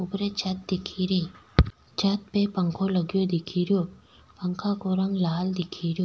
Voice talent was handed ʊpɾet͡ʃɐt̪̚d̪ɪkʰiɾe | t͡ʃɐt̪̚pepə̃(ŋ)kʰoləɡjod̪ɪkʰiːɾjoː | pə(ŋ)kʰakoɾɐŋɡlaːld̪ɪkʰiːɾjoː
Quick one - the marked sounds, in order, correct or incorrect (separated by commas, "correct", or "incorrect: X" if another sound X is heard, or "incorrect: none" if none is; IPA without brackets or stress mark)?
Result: correct, correct